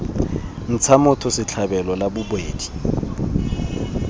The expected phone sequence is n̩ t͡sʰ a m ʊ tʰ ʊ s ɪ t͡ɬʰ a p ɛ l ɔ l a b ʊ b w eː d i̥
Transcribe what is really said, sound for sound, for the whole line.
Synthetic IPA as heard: n̩ t͡sʰ a m ʊ tʰ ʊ s ɪ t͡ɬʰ a b ɛ l ɔ l a b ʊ b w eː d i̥